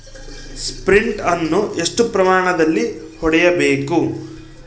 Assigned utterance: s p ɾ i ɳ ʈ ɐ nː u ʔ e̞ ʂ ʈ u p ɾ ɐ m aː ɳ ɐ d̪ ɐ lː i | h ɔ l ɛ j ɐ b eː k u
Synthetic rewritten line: s p ɾ i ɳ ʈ ɐ nː u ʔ e̞ ʂ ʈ u p ɾ ɐ m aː ɳ ɐ d̪ ɐ lː i | h ɔ ɽ ɛ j ɐ b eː k u